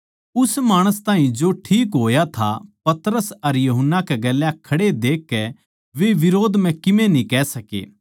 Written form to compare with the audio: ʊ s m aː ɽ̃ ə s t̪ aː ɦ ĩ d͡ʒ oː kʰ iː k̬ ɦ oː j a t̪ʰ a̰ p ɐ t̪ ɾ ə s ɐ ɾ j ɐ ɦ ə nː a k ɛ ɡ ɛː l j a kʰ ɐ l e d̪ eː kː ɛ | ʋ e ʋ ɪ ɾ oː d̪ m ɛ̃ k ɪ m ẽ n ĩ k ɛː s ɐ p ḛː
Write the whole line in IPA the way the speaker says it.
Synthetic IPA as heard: ʊ s m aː ɽ̃ ə s t̪ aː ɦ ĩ d͡ʒ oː ʈʰ iː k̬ ɦ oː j a t̪ʰ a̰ p ɐ t̪ ɾ ə s ɐ ɾ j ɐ ɦ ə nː a k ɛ ɡ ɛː l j a kʰ ɐ ɽ e d̪ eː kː ɛ | ʋ e ʋ ɪ ɾ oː d̪ m ɛ̃ k ɪ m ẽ n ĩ k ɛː s ɐ k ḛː